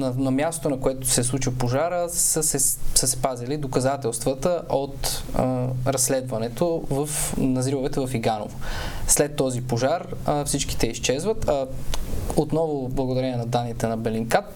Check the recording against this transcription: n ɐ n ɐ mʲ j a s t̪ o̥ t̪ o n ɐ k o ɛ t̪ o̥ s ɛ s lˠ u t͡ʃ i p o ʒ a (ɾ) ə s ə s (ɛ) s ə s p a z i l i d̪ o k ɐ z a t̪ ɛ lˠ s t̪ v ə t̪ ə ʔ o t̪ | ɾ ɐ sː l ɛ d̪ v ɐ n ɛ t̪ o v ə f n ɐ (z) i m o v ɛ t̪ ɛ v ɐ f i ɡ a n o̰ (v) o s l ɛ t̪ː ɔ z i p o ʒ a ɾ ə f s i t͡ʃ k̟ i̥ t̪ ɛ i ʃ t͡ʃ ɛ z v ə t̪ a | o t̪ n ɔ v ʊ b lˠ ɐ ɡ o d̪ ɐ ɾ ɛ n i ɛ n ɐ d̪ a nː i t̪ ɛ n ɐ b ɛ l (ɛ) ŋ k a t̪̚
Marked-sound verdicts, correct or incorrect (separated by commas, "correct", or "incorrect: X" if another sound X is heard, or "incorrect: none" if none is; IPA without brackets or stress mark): correct, correct, correct, correct, incorrect: i